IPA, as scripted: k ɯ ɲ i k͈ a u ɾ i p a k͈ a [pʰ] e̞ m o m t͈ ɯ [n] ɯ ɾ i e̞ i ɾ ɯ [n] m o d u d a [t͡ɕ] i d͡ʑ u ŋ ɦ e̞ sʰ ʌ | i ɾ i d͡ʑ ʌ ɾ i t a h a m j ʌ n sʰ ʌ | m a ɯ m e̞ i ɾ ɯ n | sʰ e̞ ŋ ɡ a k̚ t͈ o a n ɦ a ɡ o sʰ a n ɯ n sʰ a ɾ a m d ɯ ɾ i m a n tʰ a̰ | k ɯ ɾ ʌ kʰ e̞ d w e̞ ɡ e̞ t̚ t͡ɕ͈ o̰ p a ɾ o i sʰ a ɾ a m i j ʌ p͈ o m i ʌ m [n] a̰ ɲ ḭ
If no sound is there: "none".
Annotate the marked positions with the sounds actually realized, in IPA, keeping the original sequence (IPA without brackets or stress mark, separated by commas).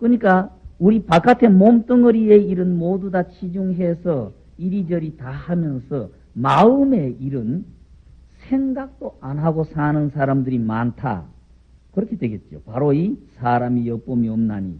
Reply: tʰ, ŋ, n, t͡ɕʰ, n